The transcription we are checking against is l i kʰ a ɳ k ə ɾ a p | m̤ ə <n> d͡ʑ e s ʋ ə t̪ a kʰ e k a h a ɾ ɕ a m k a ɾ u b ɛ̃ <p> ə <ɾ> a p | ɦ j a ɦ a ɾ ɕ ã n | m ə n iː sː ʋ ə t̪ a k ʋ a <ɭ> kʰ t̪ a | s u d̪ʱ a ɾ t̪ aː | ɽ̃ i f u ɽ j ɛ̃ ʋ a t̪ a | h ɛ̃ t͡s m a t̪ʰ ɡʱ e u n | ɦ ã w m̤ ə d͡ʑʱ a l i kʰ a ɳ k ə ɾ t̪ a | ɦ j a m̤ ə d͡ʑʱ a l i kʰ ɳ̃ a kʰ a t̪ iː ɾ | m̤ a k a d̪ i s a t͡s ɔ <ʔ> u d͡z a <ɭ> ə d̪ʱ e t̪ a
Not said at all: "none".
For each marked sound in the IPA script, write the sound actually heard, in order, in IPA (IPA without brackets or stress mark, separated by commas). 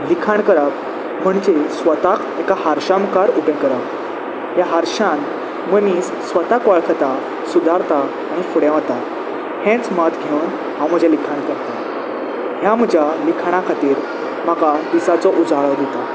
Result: ɳ, k, ɾ, ɭ, ʔ, ɭ